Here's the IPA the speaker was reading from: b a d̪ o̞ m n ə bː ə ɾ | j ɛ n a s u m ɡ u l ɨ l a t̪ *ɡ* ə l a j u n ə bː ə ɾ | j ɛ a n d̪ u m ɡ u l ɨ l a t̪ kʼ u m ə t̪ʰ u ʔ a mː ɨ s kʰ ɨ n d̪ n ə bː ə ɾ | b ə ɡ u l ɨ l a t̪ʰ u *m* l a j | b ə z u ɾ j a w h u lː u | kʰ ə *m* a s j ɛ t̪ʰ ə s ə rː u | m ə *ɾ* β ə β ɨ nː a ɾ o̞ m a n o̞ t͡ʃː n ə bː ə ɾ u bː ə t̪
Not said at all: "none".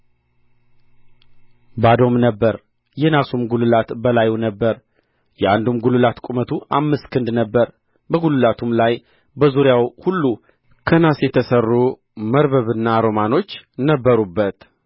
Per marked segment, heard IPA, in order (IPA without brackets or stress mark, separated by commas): b, m, n, ɾ